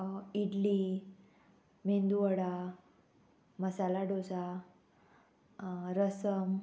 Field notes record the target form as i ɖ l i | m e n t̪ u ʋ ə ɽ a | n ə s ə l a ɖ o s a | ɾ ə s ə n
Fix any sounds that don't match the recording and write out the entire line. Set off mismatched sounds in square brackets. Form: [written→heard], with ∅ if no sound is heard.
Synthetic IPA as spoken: i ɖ l i | m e n [t̪→d̪] u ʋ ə ɽ a | [n→m] ə s [ə→a] l a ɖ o s a | ɾ ə s ə [n→m]